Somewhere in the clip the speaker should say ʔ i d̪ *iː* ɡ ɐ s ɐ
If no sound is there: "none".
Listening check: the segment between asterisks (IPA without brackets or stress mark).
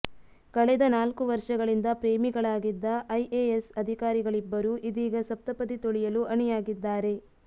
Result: iː